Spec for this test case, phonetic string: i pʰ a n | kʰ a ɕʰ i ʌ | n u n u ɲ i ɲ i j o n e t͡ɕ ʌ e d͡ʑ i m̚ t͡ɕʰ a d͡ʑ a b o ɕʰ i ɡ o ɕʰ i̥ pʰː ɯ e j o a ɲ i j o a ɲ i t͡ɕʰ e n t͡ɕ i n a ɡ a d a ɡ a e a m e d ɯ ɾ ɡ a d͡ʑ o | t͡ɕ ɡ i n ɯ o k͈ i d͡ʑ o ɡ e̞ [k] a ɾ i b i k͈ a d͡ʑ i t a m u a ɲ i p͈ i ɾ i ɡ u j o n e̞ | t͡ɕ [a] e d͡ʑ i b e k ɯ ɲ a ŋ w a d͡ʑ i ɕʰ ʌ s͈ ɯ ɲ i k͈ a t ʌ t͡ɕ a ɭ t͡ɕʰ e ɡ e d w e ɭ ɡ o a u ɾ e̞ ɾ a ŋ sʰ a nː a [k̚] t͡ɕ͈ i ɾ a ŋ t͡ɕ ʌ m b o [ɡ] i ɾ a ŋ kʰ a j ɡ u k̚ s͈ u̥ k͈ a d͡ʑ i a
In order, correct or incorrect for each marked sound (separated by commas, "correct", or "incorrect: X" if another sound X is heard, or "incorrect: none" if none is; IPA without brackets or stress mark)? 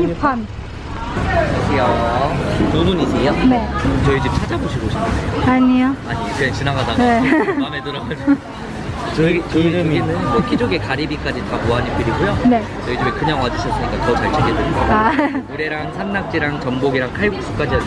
correct, incorrect: ʌ, correct, correct